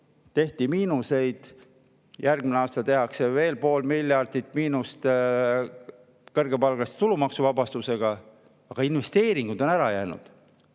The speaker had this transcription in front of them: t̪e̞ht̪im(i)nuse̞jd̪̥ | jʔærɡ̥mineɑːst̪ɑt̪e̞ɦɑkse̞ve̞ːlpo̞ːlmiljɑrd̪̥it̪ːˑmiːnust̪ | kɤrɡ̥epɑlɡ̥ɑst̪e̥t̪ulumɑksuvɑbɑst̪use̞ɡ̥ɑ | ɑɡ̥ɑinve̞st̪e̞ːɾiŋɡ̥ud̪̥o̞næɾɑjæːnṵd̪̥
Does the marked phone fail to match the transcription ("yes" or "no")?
yes